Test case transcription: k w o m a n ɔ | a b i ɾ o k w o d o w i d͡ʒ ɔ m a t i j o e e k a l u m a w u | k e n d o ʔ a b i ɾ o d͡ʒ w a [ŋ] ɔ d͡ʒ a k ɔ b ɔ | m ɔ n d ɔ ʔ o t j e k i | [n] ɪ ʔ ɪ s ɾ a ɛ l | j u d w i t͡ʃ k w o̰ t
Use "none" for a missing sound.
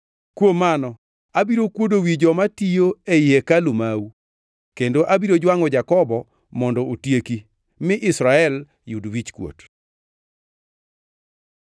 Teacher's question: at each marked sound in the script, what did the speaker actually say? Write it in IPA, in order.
ŋ, m

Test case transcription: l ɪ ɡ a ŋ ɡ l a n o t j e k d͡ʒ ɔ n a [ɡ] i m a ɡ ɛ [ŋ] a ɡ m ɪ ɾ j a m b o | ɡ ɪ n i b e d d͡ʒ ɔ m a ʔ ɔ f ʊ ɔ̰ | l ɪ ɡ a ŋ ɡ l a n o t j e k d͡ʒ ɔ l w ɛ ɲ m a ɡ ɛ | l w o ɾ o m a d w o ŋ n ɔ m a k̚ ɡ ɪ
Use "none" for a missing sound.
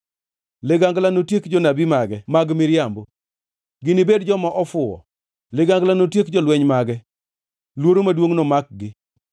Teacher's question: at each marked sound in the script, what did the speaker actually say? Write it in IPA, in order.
b, m

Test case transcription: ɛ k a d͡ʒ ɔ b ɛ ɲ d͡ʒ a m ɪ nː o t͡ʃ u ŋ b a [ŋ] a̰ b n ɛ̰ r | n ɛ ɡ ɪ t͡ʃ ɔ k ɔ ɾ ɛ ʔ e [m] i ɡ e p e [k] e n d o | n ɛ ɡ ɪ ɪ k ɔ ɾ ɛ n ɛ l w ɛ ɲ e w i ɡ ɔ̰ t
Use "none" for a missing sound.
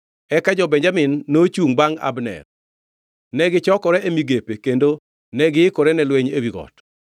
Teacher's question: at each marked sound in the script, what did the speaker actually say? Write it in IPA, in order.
ŋ, m, k

